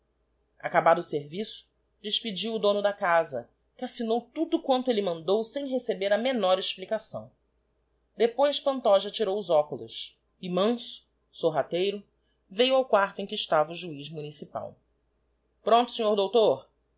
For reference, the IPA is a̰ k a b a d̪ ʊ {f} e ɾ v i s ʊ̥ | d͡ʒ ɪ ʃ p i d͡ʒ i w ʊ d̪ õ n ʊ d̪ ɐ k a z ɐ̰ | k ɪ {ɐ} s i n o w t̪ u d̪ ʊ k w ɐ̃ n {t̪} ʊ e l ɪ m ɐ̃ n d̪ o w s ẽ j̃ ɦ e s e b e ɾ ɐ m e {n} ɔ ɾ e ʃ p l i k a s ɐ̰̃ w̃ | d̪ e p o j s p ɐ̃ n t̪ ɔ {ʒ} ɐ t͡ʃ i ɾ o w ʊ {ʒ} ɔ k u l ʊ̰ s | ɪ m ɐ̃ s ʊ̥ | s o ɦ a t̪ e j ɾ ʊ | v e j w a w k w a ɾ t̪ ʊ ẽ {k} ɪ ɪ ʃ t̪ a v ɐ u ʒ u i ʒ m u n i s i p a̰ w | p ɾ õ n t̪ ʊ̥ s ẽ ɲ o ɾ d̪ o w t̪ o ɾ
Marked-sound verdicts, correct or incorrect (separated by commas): incorrect, incorrect, correct, correct, correct, incorrect, correct